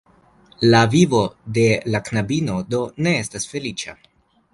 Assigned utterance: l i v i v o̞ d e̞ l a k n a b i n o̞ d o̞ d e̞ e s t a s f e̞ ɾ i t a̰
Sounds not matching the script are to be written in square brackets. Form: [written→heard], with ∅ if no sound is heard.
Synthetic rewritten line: l [i→a] v i v o̞ d e̞ l a k n a b i n o̞ d o̞ [d→n] e̞ e s t a s f e̞ [ɾ→l] i [t→t͡ʃ] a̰

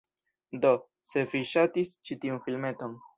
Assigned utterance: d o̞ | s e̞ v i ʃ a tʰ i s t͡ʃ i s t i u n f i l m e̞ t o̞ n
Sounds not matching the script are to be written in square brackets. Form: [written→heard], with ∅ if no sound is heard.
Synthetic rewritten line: d o̞ | s e̞ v i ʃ a [tʰ→t] i s t͡ʃ i [s→∅] t i u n f i l m e̞ t o̞ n

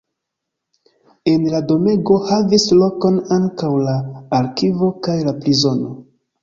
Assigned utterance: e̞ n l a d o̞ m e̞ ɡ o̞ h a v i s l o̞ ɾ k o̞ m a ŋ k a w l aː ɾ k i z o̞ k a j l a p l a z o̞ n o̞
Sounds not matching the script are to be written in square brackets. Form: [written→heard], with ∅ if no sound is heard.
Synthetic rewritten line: e̞ n l a d o̞ m e̞ ɡ o̞ h a v i s l o̞ [ɾ→∅] k o̞ [m→n] a ŋ k a w l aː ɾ k i [z→v] o̞ k a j l a p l [a→i] z o̞ n o̞

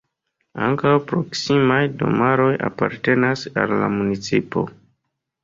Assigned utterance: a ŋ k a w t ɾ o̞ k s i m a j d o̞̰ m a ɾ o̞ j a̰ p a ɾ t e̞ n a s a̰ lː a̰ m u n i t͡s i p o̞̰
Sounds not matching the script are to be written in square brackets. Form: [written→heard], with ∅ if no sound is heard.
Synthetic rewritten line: a ŋ k a w [t→p] ɾ o̞ k s i m a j d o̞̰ m a ɾ o̞ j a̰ p a ɾ t e̞ n a s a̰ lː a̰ m u n i t͡s i p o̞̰

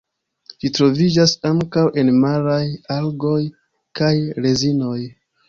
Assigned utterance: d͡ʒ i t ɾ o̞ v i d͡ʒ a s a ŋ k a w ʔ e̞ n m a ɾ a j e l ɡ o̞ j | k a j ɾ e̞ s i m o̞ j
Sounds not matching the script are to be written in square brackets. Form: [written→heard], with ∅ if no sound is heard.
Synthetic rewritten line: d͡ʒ i t ɾ o̞ v i d͡ʒ a s a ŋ k a w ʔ e̞ n m a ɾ a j [e→a] l ɡ o̞ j | k a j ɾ e̞ [s→z] i [m→n] o̞ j

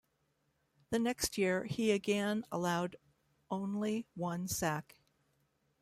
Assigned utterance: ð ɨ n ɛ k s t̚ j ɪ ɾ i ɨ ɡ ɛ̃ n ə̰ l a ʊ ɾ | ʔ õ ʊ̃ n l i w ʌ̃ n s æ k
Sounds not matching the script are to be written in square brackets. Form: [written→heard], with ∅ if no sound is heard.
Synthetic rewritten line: ð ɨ n ɛ k s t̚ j ɪ [ɾ→ɹ] i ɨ ɡ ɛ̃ n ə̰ l a ʊ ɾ | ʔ õ ʊ̃ n l i w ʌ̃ n s æ k

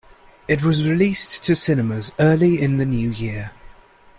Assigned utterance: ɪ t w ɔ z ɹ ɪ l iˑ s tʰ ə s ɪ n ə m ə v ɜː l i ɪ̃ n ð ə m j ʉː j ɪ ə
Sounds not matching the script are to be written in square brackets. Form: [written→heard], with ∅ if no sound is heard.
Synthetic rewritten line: ɪ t w [ɔ→ɒ] z ɹ ɪ l iˑ s tʰ ə s ɪ n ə m ə [v→z] ɜː l i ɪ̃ n ð ə [m→n] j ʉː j ɪ ə

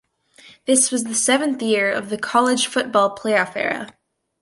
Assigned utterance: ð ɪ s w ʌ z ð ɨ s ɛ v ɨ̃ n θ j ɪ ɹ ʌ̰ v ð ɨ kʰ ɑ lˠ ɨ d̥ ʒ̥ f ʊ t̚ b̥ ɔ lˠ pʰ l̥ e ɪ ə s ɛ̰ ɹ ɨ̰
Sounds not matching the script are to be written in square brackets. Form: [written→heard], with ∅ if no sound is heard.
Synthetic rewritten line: ð ɪ s w ʌ z ð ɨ s ɛ v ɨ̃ n θ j ɪ ɹ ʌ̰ v ð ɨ kʰ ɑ lˠ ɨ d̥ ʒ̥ f ʊ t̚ b̥ ɔ lˠ pʰ l̥ e ɪ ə [s→f] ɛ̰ ɹ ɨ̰

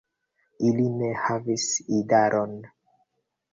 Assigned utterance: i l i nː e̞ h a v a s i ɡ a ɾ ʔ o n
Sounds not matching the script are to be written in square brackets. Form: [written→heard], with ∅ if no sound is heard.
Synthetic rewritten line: i l i [nː→n] e̞ h a v [a→i] s i [ɡ→d] a ɾ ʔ o n

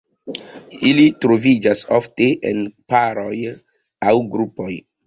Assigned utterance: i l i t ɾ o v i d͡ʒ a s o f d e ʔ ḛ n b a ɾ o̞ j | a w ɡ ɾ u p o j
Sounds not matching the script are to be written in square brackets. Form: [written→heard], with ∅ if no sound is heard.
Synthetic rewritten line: i l i t ɾ o v i d͡ʒ a s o f [d→t] e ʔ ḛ n [b→p] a ɾ o̞ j | a w ɡ ɾ u p o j

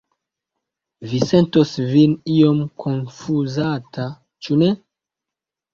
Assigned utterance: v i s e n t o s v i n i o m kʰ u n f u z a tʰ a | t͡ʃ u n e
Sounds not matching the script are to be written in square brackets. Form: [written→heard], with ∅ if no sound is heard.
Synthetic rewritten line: v i s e n t o s v i n i o m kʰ [u→o] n f u z a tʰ a | t͡ʃ u n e

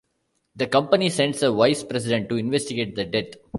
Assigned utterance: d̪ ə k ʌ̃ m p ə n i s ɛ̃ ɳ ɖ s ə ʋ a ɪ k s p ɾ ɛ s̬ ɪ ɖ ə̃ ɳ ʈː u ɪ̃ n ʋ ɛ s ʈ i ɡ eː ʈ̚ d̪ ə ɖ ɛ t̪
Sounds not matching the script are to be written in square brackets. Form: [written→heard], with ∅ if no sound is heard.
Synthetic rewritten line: d̪ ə k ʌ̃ m p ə n i s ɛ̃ ɳ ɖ s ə ʋ a ɪ [k→∅] s p ɾ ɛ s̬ ɪ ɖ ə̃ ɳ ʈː u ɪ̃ n ʋ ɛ s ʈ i ɡ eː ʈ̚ d̪ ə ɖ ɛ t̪

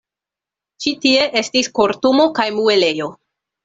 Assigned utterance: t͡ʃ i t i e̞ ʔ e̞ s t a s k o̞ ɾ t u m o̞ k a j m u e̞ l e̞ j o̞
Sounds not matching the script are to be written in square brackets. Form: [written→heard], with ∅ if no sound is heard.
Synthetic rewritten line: t͡ʃ i t i e̞ ʔ e̞ s t [a→i] s k o̞ ɾ t u m o̞ k a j m u e̞ l e̞ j o̞

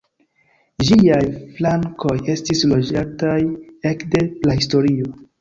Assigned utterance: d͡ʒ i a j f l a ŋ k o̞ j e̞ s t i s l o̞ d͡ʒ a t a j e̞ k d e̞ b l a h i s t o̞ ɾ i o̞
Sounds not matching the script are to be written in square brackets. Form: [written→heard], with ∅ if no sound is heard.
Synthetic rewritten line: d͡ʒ i a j f l a ŋ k o̞ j e̞ s t i s l o̞ d͡ʒ a t a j e̞ k d e̞ [b→p] l a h i s t o̞ ɾ i o̞

